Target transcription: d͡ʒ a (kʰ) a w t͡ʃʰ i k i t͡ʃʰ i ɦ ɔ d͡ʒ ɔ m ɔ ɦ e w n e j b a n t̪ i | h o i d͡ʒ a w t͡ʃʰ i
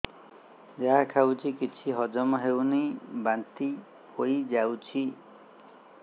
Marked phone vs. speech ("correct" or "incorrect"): correct